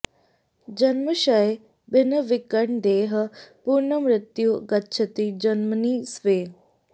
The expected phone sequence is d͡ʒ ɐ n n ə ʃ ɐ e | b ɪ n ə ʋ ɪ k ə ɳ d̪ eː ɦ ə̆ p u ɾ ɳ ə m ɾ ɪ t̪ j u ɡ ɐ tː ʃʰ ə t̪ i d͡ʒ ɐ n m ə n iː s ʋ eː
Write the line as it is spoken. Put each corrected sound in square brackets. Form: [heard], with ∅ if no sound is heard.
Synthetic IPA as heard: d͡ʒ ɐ n [m] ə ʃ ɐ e | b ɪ n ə ʋ ɪ k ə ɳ d̪ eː ɦ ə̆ p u ɾ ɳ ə m ɾ ɪ t̪ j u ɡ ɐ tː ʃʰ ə t̪ i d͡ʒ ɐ n m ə n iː s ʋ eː